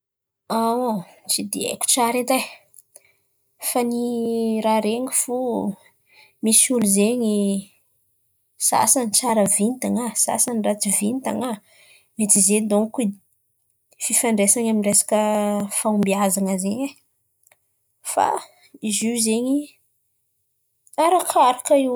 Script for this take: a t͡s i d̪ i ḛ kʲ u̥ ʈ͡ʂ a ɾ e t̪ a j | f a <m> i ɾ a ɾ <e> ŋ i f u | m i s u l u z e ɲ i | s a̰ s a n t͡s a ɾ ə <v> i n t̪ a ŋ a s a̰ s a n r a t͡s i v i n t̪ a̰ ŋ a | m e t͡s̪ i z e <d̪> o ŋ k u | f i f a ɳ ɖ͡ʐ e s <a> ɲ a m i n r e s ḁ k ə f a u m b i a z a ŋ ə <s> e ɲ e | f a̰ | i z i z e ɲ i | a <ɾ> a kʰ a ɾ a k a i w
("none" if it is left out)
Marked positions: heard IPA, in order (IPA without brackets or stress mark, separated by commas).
n, e, v, d̪, a, z, ɾ